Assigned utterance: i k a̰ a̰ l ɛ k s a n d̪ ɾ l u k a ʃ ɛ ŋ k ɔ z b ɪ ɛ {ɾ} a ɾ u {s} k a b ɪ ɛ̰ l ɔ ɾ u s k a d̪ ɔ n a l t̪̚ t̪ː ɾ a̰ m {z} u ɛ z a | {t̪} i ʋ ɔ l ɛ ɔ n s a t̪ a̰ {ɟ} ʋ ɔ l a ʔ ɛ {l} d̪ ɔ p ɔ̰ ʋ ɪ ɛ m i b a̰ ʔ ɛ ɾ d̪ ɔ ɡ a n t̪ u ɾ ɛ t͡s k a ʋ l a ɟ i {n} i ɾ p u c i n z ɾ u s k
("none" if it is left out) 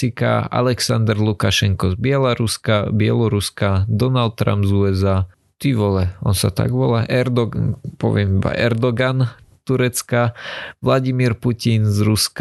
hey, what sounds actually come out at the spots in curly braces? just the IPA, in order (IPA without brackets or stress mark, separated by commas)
l, s, z, t̪, ɡ, ɾ, m